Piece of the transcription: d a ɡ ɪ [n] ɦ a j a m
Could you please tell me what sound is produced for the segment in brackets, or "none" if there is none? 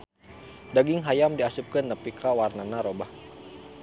ŋ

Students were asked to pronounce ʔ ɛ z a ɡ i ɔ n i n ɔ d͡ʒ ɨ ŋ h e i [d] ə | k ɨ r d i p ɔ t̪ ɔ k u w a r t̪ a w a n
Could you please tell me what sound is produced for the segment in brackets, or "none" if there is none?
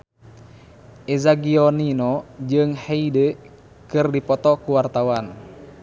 d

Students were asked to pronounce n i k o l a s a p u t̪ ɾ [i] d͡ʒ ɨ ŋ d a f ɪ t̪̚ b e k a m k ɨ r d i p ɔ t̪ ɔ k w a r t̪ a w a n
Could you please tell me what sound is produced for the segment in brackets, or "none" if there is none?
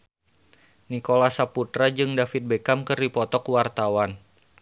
a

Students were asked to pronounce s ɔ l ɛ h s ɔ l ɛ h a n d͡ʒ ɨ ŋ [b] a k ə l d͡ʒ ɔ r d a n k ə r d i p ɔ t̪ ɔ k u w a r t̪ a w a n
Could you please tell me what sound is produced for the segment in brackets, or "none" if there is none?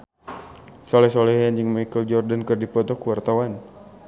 m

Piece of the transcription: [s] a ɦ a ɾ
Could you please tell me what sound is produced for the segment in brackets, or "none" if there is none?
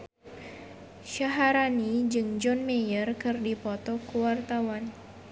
ʃ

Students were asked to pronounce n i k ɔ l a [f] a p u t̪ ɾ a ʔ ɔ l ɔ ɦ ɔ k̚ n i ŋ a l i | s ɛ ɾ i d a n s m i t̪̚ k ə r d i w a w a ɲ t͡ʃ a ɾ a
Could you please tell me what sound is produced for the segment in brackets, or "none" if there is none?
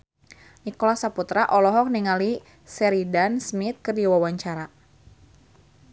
s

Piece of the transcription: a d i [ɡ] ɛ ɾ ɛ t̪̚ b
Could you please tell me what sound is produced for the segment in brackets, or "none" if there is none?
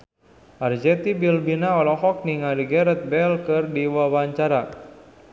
ɡ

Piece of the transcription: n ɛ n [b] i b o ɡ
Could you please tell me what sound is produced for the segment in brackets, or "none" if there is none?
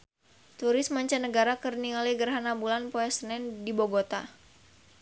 d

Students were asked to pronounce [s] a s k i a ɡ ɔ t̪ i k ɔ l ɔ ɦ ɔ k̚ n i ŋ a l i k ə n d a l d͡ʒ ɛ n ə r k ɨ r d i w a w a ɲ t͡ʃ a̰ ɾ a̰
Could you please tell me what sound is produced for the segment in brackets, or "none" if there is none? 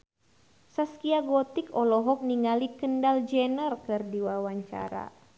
s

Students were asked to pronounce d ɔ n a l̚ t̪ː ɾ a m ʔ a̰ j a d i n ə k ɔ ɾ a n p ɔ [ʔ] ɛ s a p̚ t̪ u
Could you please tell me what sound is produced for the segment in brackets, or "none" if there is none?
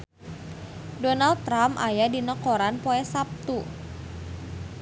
none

